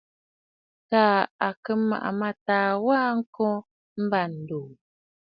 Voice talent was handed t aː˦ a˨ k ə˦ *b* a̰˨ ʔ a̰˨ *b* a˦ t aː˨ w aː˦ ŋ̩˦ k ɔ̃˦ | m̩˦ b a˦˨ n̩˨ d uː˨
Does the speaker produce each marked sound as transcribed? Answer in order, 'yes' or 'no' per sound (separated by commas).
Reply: no, no